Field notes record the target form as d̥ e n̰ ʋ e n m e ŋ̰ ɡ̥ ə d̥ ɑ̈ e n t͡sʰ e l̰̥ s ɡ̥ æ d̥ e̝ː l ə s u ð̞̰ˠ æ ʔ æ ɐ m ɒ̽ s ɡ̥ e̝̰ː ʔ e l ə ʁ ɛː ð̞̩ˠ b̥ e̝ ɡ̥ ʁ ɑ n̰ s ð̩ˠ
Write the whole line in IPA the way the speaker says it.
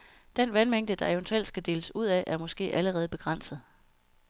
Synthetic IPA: d̥ e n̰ ʋ æ n m e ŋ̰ d̥ ə d̥ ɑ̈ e n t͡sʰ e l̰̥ s ɡ̥ æ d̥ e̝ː l ə s u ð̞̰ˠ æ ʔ æ ɐ m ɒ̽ s ɡ̥ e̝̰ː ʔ æ l ə ʁ ɛː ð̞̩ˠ b̥ e̝ ɡ̥ ʁ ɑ n̰ s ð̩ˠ